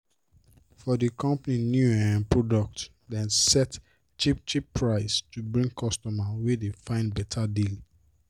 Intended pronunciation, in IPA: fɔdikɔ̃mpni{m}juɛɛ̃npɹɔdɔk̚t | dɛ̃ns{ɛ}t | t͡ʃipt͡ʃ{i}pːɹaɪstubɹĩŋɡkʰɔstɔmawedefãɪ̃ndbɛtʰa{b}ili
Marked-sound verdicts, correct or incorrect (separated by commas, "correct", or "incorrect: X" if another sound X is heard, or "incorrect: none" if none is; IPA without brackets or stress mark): incorrect: n, correct, correct, incorrect: d